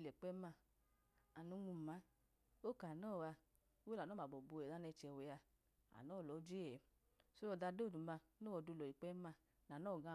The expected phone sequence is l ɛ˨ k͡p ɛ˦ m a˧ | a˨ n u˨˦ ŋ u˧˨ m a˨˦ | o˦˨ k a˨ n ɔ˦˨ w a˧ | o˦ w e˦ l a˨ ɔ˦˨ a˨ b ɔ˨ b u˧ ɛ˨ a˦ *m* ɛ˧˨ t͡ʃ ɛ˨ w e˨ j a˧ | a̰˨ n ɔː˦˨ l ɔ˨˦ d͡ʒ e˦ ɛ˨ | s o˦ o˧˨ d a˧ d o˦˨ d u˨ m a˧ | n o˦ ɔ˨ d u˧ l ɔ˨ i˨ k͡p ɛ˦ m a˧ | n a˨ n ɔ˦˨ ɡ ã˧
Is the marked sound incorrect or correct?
incorrect